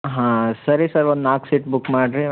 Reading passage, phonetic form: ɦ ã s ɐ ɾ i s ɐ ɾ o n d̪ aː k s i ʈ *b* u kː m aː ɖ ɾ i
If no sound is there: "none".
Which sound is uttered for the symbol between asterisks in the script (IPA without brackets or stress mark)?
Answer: b